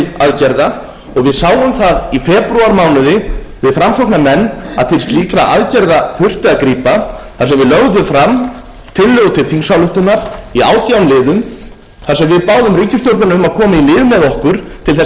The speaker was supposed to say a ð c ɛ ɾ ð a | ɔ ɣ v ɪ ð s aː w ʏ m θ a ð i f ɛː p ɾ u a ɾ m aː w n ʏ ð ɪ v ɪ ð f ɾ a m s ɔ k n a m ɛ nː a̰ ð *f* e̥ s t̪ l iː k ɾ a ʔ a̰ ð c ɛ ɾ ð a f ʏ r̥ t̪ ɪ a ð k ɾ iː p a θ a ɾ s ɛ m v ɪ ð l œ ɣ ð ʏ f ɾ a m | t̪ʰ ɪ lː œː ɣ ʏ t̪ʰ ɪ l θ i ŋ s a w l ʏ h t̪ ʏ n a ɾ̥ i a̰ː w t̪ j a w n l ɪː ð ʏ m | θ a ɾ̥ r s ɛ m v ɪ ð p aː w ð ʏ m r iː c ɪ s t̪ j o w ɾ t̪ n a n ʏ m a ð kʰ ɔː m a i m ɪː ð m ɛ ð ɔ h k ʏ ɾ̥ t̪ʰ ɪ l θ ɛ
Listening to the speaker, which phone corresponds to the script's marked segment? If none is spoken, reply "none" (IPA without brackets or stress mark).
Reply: θ